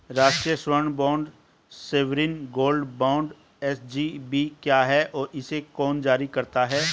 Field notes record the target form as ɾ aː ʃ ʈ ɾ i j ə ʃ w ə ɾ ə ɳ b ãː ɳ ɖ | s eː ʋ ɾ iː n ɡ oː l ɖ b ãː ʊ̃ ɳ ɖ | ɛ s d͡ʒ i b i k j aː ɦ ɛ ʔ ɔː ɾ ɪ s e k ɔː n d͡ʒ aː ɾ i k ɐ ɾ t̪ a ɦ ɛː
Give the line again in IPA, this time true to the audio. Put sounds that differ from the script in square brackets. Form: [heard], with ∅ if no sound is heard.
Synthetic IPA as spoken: ɾ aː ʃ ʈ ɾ i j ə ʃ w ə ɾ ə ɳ b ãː ɳ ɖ | s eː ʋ ɾ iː n ɡ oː l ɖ b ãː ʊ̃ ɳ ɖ | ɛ s d͡ʒ i b i k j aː ɦ ɛ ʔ ɔː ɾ ɪ s e k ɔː n d͡ʒ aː ɾ i k ɐ ɾ t̪ a ɦ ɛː